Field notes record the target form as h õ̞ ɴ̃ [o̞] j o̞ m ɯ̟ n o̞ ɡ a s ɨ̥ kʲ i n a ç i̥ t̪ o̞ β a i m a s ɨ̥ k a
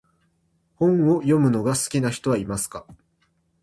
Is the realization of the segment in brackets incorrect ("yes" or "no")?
no